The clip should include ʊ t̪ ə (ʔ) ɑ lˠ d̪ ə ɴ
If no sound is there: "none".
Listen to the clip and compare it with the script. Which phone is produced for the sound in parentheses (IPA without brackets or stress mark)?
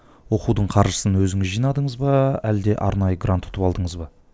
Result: p